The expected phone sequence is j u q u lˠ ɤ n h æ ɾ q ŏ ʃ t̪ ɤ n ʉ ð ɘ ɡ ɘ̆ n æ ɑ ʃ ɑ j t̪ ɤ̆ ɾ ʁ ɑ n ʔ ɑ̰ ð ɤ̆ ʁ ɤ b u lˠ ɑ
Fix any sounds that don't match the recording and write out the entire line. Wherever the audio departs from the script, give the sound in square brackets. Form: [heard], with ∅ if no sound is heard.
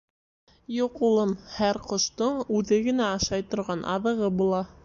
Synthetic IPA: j u q u lˠ ɤ n h æ ɾ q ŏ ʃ t̪ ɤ [ɴ] ʉ ð ɘ ɡ ɘ̆ n æ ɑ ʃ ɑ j t̪ [ŏ] ɾ ʁ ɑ n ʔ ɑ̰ ð ɤ̆ ʁ ɤ b u lˠ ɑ